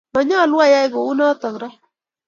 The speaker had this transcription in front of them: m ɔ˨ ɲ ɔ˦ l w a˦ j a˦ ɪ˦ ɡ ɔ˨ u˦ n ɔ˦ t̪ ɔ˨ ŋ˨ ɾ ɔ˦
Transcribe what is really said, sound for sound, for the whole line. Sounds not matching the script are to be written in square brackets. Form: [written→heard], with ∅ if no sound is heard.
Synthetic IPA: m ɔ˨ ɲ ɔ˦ l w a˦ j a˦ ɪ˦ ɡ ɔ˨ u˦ n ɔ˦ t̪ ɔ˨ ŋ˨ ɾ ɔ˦

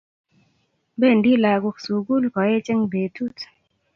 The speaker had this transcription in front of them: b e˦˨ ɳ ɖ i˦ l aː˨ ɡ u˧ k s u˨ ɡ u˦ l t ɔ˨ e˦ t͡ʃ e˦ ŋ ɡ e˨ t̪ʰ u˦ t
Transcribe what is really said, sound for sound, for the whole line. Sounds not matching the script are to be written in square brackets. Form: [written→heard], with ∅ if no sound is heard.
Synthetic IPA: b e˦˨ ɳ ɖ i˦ l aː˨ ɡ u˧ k s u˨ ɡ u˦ l [t→k] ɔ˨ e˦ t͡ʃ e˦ ŋ [ɡ→b] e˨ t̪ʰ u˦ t

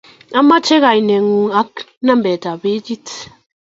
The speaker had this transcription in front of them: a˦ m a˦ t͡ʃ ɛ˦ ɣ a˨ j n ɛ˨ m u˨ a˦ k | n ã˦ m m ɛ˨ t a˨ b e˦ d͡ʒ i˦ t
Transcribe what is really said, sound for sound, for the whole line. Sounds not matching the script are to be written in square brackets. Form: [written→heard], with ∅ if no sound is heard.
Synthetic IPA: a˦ m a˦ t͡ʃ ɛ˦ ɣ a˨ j n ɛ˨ [m→ŋ] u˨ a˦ k | n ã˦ m [m→b] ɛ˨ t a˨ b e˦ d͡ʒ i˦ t

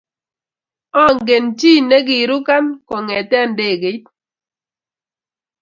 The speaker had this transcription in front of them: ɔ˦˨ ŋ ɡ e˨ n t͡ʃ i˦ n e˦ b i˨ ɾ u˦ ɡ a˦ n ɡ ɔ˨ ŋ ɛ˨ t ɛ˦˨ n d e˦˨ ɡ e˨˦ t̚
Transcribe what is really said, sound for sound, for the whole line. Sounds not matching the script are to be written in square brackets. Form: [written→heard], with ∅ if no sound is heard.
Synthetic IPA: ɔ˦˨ ŋ ɡ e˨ n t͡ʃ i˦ n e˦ [b→ɡ] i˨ ɾ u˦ [ɡ→k] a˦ n [ɡ→k] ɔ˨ ŋ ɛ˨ t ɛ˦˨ n d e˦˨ ɡ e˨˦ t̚

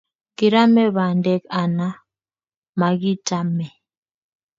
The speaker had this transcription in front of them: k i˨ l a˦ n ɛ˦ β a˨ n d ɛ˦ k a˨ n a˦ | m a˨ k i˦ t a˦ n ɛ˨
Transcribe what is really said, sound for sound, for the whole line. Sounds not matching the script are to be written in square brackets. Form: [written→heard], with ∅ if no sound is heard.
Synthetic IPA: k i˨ [l→ɾ] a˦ [n→m] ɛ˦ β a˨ n d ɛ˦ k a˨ n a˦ | m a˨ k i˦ t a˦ [n→m] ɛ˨

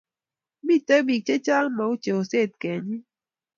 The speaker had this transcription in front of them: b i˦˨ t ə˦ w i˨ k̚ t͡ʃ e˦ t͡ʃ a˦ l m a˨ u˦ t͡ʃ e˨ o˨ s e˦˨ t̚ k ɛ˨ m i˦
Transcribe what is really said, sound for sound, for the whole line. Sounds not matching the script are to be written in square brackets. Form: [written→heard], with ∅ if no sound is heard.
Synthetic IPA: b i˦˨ t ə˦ [w→b] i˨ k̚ t͡ʃ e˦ t͡ʃ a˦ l m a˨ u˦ t͡ʃ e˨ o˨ s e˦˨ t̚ k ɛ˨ [m→ɲ] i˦

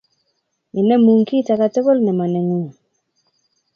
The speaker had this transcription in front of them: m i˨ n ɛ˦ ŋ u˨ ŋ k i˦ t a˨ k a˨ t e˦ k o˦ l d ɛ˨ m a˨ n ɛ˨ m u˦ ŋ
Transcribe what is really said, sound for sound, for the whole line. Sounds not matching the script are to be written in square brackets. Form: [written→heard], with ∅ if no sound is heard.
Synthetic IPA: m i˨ n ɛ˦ [ŋ→m] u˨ ŋ k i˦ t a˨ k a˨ t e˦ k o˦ l [d→n] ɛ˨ m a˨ n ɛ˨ [m→ŋ] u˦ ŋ

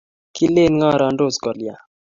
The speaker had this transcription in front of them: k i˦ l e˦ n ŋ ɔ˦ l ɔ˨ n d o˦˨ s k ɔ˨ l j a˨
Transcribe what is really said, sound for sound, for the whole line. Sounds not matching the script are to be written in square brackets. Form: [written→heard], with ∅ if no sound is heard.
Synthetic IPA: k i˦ l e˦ n ŋ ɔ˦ [l→ɾ] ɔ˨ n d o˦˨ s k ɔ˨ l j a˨

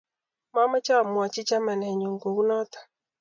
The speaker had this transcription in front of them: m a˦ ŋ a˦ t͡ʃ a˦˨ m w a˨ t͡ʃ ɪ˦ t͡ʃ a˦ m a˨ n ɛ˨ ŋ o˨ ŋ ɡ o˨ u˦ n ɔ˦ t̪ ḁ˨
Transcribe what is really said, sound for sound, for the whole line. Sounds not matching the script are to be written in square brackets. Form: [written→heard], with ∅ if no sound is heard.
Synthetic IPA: m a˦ [ŋ→m] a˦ t͡ʃ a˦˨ m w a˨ t͡ʃ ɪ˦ t͡ʃ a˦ m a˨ n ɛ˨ [ŋ→ɲ] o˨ ŋ ɡ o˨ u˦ n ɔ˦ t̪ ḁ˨

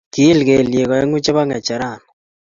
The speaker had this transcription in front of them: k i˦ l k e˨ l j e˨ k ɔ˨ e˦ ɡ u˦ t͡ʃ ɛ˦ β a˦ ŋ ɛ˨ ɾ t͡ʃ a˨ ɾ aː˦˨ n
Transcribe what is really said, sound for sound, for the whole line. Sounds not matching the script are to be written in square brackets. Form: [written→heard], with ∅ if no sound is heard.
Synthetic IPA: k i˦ l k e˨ l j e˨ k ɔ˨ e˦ [ɡ→ŋ] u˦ t͡ʃ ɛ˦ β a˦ ŋ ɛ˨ [ɾ→∅] t͡ʃ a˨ ɾ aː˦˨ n

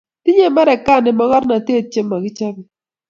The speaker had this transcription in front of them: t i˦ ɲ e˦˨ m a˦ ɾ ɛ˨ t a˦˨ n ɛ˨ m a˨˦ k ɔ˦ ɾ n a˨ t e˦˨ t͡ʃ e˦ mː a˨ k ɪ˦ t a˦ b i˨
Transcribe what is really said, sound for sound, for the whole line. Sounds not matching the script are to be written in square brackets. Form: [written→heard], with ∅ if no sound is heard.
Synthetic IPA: t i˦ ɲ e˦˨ m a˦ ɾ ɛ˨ [t→k] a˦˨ n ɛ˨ m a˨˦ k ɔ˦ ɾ n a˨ t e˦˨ t͡ʃ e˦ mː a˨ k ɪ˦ [t→t͡ʃ] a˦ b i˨

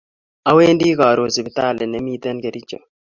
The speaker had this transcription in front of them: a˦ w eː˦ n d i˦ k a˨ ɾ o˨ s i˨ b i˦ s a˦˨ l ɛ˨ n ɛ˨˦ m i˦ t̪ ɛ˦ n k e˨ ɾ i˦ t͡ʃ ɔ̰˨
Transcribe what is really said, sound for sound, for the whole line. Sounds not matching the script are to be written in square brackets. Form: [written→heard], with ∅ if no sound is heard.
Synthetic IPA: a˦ w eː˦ n d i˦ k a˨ ɾ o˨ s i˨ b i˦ [s→t] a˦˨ l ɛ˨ n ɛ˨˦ m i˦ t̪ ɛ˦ n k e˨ ɾ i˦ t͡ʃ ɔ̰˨

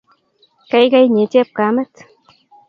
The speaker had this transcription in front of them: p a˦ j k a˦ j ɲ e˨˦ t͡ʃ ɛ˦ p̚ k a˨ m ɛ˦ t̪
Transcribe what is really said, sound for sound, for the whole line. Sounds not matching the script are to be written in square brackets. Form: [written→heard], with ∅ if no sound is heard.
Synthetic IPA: [p→k] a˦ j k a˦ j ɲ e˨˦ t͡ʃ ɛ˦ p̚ k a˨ m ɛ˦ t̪

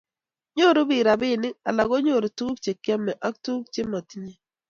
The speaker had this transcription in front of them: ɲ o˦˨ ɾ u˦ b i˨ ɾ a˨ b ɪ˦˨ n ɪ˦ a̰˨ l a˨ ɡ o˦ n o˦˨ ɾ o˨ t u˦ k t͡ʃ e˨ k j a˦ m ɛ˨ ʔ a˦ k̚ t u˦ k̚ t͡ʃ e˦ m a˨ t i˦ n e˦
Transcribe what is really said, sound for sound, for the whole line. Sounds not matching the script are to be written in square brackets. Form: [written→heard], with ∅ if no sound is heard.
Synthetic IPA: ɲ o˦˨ ɾ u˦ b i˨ ɾ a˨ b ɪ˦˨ n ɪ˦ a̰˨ l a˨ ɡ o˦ [n→ɲ] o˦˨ ɾ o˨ t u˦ k t͡ʃ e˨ k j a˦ m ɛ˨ ʔ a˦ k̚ t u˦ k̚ t͡ʃ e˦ m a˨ t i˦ [n→ɲ] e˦

